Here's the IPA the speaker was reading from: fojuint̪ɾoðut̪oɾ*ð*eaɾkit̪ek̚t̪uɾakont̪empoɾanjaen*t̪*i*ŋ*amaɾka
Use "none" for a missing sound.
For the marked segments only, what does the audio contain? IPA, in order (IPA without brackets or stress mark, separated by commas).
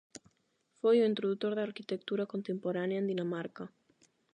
ð, d̪, n